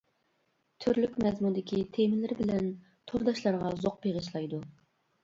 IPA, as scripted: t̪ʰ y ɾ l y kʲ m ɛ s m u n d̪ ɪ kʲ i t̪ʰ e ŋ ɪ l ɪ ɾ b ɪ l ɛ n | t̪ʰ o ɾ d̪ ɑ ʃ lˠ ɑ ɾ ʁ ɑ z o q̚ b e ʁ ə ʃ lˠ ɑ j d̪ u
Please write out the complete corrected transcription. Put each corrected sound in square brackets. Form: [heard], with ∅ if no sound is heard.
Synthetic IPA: t̪ʰ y ɾ l y kʲ m ɛ [z] m u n d̪ ɪ kʲ i t̪ʰ e [m] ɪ l ɪ ɾ b ɪ l ɛ n | t̪ʰ o ɾ d̪ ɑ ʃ lˠ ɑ ɾ ʁ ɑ z o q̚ b e ʁ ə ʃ lˠ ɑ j d̪ u